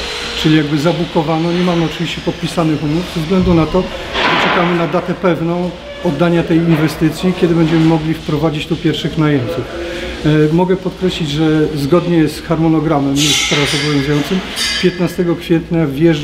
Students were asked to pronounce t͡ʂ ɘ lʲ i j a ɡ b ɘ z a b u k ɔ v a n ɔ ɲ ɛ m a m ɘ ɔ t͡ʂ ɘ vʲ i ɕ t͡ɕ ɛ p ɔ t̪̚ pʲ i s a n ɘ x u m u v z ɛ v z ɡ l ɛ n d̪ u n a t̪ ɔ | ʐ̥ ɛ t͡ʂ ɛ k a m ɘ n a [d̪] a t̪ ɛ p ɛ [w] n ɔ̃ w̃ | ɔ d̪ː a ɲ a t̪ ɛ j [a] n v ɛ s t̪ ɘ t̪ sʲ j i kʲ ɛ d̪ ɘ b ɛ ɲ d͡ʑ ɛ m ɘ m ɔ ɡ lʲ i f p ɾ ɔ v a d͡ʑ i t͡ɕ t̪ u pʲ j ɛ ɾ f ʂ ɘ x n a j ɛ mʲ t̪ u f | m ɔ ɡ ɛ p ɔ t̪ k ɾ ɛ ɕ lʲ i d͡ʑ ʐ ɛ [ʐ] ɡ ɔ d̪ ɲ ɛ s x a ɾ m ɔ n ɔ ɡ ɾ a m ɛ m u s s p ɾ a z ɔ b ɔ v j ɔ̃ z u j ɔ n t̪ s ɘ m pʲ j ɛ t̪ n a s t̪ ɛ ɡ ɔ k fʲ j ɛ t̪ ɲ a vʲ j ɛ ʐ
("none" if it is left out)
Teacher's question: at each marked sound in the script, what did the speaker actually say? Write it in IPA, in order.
d̪, v, i, z

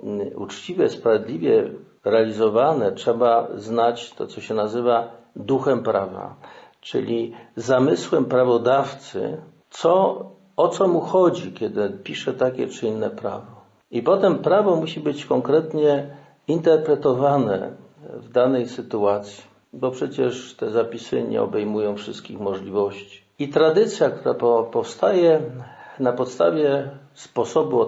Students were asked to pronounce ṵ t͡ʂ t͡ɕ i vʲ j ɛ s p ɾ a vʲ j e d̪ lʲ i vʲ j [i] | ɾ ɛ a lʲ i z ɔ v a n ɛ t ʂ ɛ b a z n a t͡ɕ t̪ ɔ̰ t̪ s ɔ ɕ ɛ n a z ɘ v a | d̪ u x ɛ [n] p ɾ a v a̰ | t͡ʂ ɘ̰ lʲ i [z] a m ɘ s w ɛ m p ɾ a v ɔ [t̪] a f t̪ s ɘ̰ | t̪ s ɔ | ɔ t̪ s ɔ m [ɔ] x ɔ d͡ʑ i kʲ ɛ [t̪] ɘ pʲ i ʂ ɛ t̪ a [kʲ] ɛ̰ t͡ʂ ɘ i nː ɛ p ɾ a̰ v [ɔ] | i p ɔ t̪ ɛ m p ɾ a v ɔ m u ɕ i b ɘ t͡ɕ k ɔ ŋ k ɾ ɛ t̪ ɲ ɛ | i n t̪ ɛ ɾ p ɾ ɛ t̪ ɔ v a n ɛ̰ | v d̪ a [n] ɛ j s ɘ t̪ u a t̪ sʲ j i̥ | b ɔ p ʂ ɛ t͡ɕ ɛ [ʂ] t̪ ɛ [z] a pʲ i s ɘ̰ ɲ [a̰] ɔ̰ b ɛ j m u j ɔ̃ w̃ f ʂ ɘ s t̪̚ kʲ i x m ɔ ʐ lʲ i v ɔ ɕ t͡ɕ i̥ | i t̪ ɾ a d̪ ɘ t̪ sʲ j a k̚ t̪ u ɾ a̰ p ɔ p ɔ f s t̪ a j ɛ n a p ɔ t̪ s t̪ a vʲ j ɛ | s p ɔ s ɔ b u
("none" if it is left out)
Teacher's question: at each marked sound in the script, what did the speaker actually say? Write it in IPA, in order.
ɛ, m, z, d̪, u, d̪, kʲ, ɔ, n, ʂ, z, ɛ̰

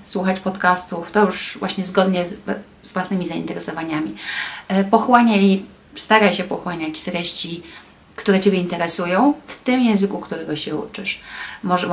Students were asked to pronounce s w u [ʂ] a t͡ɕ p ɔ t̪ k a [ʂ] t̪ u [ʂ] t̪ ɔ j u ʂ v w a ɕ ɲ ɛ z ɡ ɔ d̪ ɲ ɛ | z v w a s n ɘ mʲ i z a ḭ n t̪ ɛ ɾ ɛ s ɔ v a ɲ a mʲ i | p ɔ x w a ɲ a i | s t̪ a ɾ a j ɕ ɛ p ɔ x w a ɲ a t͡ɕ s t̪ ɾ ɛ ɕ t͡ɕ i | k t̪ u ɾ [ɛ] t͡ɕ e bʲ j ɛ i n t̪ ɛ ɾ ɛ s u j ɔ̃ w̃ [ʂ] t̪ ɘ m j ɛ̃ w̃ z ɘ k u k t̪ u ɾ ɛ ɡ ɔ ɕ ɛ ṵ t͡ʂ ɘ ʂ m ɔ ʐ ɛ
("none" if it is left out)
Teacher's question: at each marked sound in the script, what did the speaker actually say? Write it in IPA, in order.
x, s, f, ɛ, f

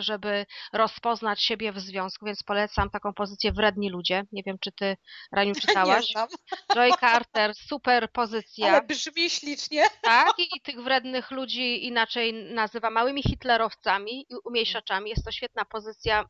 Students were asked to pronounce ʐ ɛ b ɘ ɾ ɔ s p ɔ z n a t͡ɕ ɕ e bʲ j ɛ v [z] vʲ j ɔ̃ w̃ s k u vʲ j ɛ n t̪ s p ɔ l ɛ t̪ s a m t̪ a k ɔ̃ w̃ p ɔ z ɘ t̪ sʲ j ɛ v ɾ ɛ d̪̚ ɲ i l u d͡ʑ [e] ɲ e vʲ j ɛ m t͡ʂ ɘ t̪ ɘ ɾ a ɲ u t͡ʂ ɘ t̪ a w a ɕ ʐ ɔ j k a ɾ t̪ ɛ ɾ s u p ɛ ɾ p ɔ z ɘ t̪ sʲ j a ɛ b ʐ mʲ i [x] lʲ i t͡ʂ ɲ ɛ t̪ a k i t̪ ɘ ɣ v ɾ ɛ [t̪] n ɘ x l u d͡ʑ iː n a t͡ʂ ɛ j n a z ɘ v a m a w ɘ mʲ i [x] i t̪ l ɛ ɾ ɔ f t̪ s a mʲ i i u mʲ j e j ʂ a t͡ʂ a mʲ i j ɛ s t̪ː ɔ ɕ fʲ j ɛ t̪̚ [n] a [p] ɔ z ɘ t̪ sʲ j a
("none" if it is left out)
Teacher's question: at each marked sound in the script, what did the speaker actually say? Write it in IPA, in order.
z, ɛ, ɕ, d̪, x, n, p

